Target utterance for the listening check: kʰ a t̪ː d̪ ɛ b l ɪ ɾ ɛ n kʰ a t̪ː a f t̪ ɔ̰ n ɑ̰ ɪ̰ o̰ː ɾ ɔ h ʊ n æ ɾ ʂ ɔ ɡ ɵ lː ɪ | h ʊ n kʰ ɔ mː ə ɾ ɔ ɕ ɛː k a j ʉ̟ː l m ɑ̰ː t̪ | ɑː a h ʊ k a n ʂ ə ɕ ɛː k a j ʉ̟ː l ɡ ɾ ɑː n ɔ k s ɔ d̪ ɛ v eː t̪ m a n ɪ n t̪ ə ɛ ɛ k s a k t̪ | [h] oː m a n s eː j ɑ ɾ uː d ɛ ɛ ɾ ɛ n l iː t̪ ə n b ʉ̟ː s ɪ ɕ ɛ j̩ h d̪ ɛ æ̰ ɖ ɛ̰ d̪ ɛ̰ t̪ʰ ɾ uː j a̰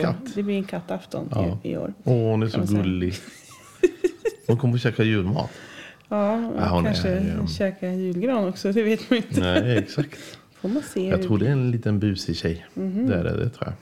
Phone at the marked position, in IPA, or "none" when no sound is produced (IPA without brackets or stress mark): f